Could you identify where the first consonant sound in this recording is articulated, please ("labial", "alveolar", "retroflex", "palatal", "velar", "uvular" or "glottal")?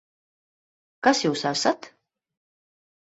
velar